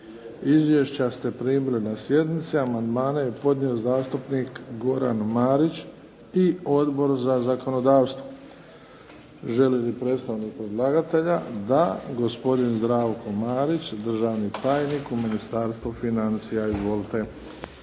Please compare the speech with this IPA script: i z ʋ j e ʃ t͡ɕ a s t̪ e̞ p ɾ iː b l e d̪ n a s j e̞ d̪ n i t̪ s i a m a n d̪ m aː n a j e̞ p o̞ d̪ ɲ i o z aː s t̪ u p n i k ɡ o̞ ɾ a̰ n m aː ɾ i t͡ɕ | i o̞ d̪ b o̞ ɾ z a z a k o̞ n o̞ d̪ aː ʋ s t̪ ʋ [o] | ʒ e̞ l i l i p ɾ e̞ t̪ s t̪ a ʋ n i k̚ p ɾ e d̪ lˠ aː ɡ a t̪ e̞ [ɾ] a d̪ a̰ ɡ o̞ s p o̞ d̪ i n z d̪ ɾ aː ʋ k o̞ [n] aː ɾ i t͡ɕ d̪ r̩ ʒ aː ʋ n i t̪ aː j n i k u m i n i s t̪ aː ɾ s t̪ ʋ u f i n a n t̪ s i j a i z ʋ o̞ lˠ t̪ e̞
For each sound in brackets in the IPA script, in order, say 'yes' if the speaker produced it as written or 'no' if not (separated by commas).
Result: yes, no, no